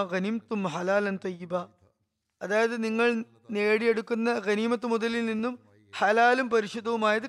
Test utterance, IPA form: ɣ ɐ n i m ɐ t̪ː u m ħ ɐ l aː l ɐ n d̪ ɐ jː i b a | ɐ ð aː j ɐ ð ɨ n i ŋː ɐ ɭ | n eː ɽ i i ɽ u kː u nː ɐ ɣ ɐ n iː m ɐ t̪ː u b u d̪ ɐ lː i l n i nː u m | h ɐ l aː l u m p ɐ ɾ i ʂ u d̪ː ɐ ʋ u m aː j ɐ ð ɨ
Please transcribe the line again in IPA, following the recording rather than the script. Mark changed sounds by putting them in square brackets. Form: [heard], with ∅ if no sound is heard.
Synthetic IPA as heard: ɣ ɐ n i m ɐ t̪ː u m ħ ɐ l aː l ɐ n [t̪] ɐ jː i b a | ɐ ð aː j ɐ ð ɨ n i ŋː ɐ ɭ | n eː ɽ i [e] ɽ u kː u nː ɐ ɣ ɐ n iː m ɐ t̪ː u [m] u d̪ ɐ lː i l n i nː u m | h ɐ l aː l u m p ɐ ɾ i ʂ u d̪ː ɐ ʋ u m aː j ɐ ð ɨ